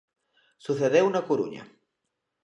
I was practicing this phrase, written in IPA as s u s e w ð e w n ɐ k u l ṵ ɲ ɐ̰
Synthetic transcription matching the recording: s u θ e ð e w n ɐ k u ɾ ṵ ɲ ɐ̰